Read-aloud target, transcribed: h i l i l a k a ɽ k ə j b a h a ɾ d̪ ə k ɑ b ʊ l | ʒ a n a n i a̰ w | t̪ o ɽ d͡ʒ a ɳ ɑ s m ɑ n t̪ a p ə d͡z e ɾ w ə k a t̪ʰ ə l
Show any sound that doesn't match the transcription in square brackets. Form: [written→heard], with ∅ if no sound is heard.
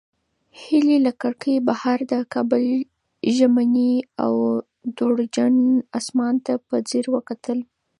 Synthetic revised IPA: h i l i l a k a ɽ k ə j b a h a ɾ d̪ ə k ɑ b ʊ l | ʒ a [n→m] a n i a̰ w | [t̪→d̪] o ɽ d͡ʒ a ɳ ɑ s m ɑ n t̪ a p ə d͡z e ɾ w ə k a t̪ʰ ə l